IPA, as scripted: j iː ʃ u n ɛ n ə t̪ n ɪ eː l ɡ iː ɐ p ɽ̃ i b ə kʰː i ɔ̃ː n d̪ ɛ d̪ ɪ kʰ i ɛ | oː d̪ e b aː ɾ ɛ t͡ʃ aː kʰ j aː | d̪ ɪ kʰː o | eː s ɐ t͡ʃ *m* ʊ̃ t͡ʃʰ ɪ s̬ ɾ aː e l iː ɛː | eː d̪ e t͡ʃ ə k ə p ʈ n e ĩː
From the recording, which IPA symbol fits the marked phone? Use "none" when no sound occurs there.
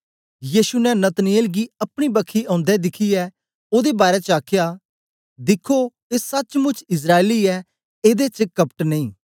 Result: m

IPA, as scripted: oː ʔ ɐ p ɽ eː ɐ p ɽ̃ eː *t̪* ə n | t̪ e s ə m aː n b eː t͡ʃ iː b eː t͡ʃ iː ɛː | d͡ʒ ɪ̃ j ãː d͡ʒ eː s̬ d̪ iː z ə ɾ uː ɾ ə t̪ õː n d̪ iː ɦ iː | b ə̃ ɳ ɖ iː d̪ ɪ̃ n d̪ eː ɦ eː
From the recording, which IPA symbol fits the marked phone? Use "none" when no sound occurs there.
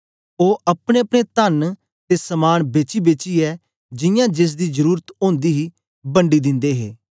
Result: t̪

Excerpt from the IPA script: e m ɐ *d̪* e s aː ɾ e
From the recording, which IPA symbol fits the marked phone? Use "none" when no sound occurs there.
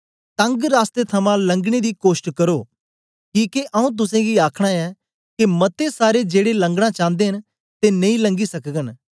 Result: t̪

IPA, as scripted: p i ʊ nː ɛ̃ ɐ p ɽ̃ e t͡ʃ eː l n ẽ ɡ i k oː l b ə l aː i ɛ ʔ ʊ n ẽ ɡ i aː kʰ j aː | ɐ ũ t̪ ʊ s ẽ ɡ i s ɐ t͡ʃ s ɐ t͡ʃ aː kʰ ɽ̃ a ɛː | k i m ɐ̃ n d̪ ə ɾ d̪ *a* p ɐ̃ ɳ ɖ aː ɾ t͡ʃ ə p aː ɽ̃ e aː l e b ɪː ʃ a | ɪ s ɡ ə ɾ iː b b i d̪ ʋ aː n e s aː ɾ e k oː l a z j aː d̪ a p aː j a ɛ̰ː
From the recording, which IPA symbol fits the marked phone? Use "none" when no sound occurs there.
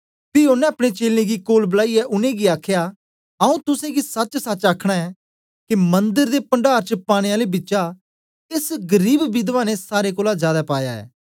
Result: e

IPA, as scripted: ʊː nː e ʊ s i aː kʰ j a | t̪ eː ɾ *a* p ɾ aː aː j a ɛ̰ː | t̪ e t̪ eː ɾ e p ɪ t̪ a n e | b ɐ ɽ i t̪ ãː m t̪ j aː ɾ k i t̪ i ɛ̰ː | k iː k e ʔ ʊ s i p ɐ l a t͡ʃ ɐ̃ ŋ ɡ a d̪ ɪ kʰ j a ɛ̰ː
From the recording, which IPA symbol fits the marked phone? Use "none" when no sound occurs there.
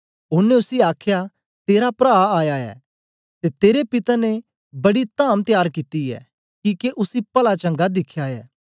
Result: a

